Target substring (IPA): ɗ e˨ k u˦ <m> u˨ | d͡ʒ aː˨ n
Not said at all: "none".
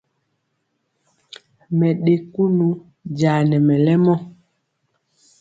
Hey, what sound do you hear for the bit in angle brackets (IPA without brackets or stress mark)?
n